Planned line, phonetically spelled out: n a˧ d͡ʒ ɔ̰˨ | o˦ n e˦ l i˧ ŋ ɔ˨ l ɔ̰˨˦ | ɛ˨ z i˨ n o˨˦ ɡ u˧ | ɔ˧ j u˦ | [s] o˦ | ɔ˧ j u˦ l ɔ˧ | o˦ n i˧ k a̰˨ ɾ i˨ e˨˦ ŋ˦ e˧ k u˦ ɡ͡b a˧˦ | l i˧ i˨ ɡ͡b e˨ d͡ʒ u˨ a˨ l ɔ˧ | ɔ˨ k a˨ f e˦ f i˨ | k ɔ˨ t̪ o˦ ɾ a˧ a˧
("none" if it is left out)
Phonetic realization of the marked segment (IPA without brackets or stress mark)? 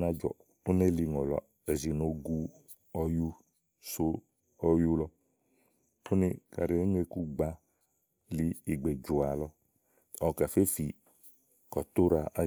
s